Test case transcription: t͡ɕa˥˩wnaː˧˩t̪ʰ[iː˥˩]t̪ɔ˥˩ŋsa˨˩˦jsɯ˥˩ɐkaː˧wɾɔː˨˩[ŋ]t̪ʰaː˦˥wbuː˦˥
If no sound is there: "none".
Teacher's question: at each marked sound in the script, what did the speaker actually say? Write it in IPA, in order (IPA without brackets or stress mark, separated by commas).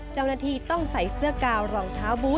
iː˧, ŋ